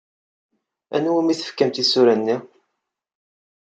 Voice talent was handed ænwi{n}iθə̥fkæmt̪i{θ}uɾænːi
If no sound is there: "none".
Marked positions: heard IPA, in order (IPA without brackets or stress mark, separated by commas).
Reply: m, s